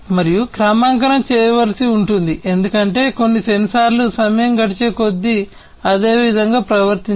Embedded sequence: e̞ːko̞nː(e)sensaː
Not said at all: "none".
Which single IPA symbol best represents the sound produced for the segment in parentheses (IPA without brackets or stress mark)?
i